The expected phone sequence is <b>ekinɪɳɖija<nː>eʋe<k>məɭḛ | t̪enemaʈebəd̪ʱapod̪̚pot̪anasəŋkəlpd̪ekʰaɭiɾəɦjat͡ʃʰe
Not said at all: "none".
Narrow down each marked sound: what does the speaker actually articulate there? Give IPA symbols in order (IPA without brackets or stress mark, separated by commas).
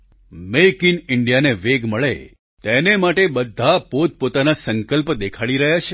m, n, ɡ